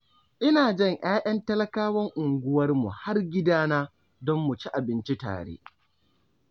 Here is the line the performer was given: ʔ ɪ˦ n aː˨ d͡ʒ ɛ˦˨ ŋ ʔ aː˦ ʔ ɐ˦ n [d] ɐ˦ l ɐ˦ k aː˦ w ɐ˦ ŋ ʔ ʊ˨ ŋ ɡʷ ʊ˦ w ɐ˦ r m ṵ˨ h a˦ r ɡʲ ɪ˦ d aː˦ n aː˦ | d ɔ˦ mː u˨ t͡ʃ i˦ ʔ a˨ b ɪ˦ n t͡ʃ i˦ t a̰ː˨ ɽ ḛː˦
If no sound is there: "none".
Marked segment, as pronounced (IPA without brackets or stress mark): t